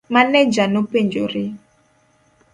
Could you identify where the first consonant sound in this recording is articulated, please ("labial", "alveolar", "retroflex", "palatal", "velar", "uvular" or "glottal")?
labial